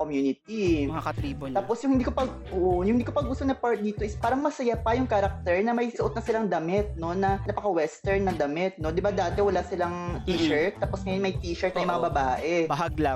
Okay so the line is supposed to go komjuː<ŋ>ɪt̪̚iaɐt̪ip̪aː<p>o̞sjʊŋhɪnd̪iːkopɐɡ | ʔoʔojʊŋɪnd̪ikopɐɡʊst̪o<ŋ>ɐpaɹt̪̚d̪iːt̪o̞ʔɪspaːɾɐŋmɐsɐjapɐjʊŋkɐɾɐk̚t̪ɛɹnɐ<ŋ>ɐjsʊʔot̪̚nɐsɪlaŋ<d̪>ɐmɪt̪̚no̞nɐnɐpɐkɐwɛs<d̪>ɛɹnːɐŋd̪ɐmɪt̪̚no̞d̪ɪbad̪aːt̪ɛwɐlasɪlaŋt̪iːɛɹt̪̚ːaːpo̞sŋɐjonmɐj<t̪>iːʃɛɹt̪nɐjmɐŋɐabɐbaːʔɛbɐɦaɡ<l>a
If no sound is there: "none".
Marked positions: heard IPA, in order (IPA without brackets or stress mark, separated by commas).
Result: n, p, n, m, d̪, t̪, t̪, l